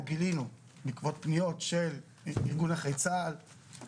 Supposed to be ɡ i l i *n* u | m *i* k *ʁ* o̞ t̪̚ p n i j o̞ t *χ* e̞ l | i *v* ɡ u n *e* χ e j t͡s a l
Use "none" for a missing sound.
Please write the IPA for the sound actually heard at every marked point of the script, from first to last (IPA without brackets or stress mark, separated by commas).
n, i, v, ʃ, ʁ, a